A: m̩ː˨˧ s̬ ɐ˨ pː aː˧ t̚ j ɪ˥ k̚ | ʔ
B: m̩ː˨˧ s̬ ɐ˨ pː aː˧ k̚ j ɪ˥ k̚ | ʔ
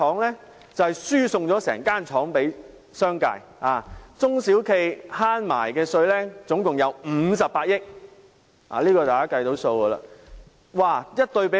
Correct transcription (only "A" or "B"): A